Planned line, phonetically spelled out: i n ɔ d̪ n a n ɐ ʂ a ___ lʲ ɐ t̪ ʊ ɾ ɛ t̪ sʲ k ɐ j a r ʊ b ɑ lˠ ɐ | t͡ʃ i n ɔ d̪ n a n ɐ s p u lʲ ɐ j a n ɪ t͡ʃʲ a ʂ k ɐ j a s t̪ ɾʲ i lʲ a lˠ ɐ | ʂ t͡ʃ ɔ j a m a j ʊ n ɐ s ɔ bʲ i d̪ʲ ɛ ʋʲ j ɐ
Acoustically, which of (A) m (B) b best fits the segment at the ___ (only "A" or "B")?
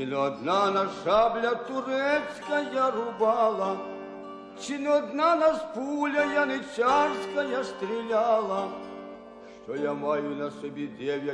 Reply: B